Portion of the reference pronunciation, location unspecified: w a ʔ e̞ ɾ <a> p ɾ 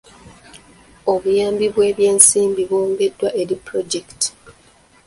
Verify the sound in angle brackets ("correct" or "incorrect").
incorrect